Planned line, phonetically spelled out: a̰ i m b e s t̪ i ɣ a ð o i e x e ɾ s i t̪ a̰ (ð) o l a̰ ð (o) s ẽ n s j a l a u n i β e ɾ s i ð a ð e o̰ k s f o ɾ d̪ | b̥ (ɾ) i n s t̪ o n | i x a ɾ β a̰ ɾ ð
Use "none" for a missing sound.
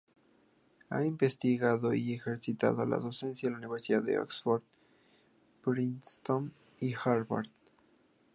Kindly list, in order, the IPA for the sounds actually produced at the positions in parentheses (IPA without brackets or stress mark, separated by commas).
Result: ð, o, ɾ